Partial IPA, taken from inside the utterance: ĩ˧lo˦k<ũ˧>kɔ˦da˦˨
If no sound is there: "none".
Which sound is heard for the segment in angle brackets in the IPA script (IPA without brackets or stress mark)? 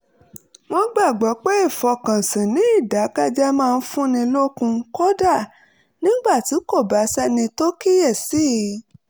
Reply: ũ˧